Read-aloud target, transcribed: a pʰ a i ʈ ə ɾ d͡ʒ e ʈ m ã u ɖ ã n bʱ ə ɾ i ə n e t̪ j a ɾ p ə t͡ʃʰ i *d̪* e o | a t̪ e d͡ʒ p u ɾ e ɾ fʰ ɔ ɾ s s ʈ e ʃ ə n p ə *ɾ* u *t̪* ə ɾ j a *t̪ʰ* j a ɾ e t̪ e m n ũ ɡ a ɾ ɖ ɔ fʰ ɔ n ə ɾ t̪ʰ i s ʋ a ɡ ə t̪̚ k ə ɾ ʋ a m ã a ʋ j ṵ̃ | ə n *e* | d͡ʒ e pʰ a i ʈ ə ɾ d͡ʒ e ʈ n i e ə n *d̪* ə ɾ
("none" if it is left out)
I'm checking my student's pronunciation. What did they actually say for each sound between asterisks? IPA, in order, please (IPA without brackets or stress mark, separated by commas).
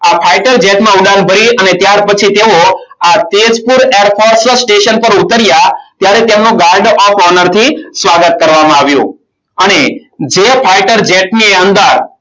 t̪, ɾ, t̪, t̪, e, d̪